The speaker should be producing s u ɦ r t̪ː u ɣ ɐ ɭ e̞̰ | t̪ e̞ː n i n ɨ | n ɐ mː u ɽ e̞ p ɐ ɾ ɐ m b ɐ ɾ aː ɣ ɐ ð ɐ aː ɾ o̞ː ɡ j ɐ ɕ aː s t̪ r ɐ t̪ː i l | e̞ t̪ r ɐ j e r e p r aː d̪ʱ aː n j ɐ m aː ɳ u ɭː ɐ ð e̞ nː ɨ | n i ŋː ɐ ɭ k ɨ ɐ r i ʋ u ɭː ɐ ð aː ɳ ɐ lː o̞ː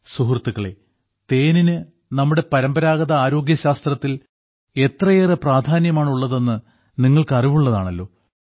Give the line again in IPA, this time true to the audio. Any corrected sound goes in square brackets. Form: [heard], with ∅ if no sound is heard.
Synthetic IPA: s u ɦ r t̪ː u ɣ ɐ ɭ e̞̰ | t̪ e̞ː n i n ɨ | n ɐ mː u ɽ e̞ p ɐ ɾ ɐ m b ɐ ɾ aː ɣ ɐ ð ɐ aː ɾ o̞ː ɡ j ɐ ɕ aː s t̪ r ɐ t̪ː i l | e̞ t̪ r ɐ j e r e p r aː d̪ʱ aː n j ɐ m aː ɳ u ɭː ɐ ð e̞ nː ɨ | n i ŋː ɐ ɭ k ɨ ɐ r i ʋ u ɭː ɐ ð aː ɳ ɐ lː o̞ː